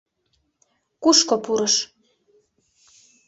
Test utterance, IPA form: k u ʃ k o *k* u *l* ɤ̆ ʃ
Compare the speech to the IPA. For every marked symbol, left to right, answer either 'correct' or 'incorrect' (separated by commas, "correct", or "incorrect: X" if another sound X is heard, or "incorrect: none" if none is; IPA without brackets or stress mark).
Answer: incorrect: p, incorrect: ɾ